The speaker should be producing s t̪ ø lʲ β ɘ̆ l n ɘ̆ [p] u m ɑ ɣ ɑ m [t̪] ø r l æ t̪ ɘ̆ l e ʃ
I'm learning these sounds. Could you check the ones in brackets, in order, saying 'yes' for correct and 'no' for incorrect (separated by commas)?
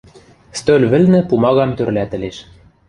yes, yes